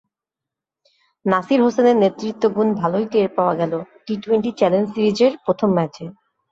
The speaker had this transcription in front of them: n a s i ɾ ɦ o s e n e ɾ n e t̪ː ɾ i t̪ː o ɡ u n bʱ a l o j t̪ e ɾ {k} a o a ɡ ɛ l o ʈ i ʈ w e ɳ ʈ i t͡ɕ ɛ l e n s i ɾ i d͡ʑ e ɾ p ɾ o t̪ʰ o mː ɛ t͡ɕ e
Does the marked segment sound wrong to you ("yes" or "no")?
yes